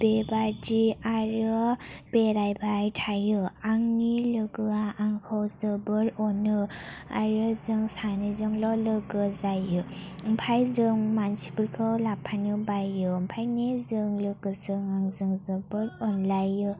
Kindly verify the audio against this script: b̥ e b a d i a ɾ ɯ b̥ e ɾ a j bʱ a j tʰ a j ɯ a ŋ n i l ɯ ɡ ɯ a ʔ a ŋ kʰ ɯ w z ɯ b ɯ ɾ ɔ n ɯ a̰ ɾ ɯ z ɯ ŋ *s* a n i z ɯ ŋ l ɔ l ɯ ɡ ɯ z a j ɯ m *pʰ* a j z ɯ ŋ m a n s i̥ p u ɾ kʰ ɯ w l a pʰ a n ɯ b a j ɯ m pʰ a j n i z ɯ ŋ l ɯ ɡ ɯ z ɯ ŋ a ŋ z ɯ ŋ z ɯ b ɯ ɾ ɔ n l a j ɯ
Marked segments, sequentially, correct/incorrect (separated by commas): correct, correct